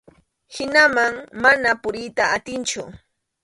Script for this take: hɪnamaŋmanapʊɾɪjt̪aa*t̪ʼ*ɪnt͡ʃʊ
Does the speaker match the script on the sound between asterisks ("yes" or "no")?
no